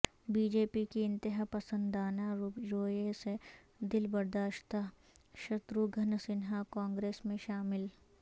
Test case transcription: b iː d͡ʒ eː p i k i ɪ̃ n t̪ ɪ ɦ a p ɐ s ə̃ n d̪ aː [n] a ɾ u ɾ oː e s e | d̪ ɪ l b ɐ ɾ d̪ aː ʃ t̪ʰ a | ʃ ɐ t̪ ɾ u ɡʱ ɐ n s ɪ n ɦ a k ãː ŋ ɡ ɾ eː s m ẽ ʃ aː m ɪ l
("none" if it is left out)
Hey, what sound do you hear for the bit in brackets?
n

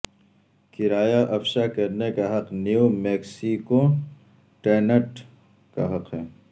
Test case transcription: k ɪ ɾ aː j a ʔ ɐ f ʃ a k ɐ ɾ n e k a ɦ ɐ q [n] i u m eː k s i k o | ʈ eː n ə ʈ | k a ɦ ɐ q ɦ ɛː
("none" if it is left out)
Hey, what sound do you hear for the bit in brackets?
n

